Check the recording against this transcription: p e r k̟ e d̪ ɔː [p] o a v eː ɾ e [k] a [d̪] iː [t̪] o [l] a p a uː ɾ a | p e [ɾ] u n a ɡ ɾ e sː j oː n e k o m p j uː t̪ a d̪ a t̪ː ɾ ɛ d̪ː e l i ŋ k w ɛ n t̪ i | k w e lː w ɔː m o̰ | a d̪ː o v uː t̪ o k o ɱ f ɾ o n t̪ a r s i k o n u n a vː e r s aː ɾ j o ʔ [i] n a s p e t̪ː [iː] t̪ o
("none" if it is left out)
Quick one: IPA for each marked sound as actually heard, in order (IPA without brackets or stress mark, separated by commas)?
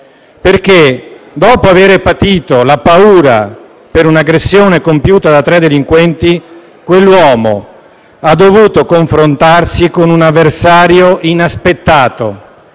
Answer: p, p, t̪, t̪, l, ɾ, i, aː